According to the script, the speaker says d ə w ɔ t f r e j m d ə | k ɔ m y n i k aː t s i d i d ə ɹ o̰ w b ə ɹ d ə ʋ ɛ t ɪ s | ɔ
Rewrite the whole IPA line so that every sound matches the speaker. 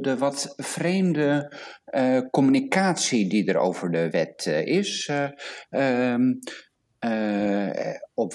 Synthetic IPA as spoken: d ə ʋ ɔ t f r e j m d ə | k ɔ m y n i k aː t s i d i d ə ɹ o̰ w v ə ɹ d ə ʋ ɛ t ɪ s | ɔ